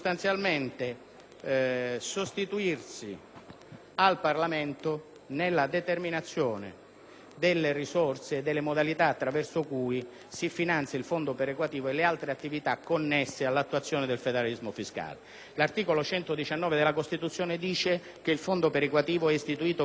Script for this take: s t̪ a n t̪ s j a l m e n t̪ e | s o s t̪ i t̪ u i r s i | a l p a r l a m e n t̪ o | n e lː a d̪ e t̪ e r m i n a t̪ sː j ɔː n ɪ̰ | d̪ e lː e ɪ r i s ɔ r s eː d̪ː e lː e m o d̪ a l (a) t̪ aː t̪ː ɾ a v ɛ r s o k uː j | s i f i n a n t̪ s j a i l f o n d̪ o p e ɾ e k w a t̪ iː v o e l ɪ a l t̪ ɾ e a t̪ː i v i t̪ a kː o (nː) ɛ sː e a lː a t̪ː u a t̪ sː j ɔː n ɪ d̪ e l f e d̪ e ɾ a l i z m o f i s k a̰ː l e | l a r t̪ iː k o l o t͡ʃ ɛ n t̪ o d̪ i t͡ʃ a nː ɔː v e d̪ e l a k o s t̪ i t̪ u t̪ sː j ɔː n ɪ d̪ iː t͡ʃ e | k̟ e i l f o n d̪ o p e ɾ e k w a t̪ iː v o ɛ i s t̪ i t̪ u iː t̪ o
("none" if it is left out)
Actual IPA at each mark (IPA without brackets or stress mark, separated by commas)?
i, nː